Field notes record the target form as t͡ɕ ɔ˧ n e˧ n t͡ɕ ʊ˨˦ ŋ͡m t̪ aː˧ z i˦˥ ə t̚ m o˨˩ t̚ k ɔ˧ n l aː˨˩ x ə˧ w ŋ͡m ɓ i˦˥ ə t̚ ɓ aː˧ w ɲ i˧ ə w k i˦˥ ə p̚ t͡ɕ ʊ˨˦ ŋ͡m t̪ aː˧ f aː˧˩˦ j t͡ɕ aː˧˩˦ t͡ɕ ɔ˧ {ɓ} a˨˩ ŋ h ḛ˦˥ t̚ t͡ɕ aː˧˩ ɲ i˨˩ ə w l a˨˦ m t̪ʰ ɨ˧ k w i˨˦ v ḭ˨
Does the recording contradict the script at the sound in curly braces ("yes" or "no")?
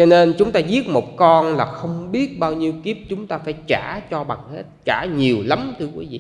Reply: no